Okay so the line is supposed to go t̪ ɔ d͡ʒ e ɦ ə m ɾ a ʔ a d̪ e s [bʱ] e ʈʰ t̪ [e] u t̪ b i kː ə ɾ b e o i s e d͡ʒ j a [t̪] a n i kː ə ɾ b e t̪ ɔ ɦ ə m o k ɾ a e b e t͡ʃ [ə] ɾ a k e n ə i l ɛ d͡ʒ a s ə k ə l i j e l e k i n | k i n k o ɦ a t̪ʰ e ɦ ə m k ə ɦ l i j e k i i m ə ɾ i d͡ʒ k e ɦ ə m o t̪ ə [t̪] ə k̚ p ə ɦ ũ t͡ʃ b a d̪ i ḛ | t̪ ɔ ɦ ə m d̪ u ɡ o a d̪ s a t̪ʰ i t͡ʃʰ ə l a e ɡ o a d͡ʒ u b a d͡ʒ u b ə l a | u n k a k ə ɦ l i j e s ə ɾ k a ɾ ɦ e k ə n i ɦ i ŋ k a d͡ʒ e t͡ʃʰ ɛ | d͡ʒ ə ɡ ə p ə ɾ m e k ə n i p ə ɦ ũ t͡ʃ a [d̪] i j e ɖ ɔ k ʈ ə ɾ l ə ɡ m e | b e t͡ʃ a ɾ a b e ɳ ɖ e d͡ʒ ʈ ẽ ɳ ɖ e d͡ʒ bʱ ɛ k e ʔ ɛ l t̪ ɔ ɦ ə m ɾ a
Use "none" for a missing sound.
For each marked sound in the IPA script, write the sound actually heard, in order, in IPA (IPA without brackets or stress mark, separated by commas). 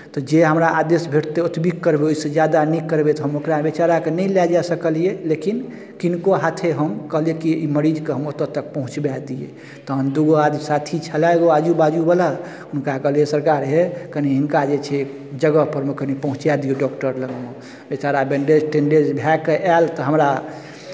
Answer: bʱ, e, d̪, a, t̪, d̪